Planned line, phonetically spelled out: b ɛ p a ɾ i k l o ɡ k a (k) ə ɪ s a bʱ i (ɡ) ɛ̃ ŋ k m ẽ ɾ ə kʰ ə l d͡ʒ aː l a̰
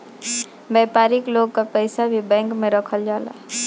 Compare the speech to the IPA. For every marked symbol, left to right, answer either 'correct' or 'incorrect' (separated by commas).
incorrect, incorrect